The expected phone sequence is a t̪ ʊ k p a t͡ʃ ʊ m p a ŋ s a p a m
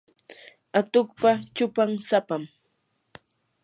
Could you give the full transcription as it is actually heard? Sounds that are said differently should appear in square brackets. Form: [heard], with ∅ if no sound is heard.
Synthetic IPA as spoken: a t̪ ʊ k p a t͡ʃ ʊ [∅] p a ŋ s a p a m